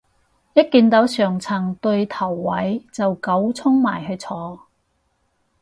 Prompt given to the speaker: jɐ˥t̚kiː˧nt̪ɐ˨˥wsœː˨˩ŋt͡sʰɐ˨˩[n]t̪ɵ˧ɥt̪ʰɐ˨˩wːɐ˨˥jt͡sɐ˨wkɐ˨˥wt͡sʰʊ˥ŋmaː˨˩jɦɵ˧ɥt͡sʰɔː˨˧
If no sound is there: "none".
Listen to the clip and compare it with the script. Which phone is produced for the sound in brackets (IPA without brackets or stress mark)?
ŋ